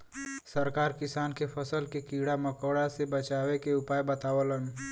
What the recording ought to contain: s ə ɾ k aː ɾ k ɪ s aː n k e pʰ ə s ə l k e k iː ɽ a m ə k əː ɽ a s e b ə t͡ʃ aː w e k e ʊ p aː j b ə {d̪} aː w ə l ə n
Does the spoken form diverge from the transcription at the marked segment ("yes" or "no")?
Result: yes